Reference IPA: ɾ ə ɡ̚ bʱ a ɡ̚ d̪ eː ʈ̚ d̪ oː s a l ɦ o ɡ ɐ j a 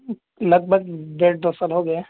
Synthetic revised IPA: l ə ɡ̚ bʱ ə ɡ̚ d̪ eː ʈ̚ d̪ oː s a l ɦ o ɡ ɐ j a